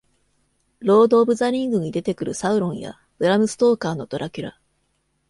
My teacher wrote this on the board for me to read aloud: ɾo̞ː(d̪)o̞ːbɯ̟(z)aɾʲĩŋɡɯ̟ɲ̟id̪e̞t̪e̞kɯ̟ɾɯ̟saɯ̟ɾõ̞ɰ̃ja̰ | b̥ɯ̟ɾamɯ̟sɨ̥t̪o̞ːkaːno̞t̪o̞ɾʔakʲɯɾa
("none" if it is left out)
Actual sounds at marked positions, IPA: d̪, z

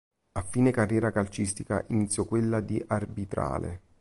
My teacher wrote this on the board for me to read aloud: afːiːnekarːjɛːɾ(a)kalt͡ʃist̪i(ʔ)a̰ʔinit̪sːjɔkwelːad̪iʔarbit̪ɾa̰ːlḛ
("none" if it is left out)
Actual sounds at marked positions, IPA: a, k

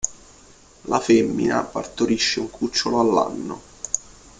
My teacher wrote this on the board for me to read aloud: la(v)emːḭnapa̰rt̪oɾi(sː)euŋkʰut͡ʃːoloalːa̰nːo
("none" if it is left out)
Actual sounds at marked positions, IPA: f, ʃː

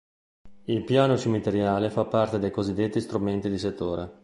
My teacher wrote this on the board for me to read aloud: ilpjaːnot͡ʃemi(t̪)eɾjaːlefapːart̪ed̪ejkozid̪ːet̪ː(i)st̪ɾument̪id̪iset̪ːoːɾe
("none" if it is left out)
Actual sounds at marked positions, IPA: t̪, i

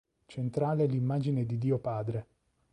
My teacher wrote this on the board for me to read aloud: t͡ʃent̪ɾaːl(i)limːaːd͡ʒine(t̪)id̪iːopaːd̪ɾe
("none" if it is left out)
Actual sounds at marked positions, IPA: e, d̪

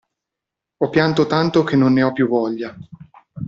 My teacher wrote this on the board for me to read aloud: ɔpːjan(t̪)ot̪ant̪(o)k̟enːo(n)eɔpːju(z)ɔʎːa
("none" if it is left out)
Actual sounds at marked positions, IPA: t̪, o, nː, v

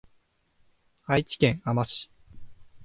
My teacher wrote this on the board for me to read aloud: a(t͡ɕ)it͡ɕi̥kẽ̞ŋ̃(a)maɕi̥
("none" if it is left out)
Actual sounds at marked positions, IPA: none, a

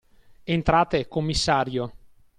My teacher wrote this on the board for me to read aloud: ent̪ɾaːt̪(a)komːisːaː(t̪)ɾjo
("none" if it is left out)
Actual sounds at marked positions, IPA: e, none

